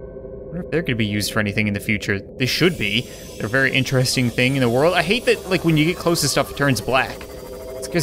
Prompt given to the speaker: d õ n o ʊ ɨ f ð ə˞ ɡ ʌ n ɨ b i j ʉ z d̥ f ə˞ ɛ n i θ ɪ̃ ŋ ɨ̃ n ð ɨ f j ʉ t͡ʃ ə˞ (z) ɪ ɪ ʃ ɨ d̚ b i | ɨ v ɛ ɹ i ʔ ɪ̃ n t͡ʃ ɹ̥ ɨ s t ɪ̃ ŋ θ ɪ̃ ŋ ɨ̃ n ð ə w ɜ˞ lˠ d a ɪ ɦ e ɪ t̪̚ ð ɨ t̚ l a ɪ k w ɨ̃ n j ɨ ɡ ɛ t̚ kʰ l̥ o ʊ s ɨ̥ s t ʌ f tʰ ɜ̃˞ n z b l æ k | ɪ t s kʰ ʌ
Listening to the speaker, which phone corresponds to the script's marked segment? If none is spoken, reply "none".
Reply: ð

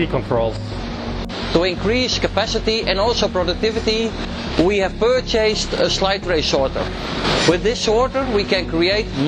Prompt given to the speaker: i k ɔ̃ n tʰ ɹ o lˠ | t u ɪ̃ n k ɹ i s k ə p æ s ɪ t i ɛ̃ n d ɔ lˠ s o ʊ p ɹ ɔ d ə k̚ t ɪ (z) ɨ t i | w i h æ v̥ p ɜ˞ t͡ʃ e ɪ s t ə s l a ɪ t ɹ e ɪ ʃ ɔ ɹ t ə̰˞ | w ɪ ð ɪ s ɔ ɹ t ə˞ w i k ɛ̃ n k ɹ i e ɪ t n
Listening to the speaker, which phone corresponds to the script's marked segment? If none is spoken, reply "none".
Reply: v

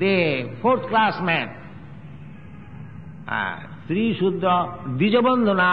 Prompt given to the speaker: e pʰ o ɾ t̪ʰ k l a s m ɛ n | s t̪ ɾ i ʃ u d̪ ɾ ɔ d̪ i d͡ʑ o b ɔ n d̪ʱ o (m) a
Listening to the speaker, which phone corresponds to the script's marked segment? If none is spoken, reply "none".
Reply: n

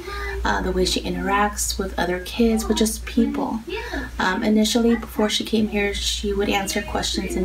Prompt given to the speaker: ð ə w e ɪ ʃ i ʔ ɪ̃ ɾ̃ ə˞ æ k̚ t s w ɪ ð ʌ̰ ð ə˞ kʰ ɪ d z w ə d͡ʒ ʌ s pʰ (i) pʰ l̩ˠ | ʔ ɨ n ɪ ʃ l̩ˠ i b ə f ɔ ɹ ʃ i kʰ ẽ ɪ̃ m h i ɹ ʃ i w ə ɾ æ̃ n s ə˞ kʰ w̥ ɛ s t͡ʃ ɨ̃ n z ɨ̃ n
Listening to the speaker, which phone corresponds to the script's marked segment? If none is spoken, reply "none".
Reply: i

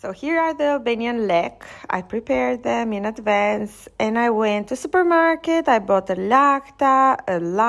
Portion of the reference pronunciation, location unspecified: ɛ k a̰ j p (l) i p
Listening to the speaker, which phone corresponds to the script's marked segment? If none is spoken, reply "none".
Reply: ɹ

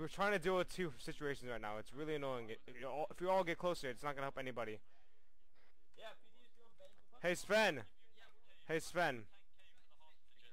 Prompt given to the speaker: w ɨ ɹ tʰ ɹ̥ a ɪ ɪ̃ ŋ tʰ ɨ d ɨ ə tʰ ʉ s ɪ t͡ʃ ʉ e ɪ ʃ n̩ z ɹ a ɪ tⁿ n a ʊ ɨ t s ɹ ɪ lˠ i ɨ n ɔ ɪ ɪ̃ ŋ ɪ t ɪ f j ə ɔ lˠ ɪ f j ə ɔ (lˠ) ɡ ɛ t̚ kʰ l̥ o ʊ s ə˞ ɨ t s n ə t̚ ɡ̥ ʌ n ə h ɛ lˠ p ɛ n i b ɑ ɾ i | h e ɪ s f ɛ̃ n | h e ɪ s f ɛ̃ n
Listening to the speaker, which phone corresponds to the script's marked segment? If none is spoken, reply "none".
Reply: lˠ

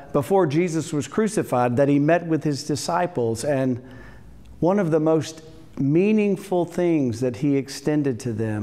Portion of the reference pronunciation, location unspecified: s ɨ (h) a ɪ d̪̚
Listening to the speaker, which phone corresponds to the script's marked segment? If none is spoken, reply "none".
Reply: f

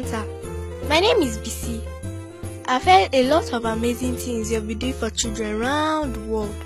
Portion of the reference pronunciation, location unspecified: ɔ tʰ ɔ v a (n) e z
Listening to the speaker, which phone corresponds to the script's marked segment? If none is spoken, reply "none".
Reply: m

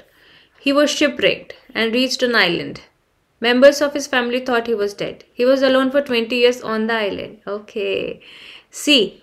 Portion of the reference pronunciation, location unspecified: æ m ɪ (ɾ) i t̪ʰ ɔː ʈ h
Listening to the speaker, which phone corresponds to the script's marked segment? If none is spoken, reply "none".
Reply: l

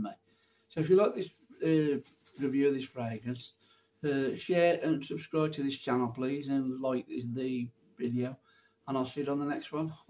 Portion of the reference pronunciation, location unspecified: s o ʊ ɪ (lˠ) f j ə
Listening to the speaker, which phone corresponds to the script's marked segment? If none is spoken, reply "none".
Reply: none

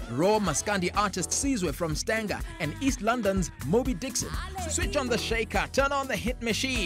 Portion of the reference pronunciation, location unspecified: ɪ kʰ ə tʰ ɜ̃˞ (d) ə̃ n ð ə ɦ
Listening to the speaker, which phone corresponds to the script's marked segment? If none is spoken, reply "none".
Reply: n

